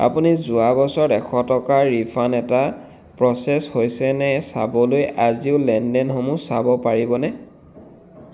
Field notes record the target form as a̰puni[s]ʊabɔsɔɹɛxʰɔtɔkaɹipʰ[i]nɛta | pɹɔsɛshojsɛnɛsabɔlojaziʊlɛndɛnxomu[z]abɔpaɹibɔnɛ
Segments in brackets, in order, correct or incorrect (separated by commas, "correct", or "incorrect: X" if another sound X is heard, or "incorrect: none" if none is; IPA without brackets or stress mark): incorrect: z, incorrect: a, incorrect: s